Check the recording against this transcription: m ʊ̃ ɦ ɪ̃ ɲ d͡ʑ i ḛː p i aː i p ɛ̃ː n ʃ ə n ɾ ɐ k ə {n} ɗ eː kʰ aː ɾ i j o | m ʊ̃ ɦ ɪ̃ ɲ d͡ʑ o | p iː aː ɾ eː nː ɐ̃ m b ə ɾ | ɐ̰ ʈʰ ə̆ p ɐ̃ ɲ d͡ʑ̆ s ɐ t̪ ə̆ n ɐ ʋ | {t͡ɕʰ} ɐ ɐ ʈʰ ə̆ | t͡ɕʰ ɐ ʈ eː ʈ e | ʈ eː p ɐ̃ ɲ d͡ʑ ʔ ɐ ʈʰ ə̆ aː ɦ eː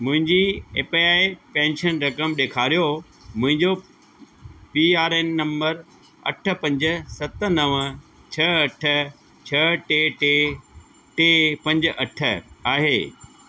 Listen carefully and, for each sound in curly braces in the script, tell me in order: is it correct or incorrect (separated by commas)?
incorrect, correct